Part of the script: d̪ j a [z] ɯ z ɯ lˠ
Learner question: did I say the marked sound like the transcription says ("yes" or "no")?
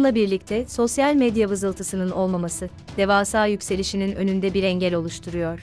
no